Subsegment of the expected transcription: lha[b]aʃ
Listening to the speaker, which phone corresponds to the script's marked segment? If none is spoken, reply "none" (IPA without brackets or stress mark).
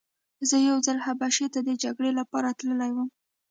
b